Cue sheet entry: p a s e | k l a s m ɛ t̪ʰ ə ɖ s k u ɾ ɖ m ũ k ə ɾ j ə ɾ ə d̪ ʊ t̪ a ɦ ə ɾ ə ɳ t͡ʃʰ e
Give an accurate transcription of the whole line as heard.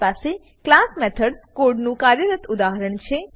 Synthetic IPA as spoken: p a s e | k l a s m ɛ t̪ʰ ə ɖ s k o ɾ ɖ n ũ k a ɾ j ə ɾ ə t̪ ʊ d̪ a ɦ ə ɾ ə ɳ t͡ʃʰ e